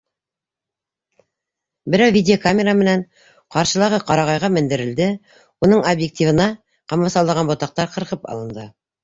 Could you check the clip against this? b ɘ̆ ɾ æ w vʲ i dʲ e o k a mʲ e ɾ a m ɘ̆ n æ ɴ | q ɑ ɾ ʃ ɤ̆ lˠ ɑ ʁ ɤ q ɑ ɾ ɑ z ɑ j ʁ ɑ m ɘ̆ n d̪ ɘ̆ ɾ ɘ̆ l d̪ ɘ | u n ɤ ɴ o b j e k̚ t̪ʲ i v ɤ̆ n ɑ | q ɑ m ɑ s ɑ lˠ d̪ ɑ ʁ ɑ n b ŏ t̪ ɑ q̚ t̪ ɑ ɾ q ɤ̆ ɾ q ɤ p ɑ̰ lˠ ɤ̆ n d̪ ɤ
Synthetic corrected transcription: b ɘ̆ ɾ æ w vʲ i dʲ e o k a mʲ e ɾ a m ɘ̆ n æ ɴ | q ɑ ɾ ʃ ɤ̆ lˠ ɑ ʁ ɤ q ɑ ɾ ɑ ʁ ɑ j ʁ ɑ m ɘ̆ n d̪ ɘ̆ ɾ ɘ̆ l d̪ ɘ | u n ɤ ɴ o b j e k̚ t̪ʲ i v ɤ̆ n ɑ | q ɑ m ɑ s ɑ lˠ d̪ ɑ ʁ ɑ n b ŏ t̪ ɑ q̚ t̪ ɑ ɾ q ɤ̆ ɾ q ɤ p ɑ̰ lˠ ɤ̆ n d̪ ɤ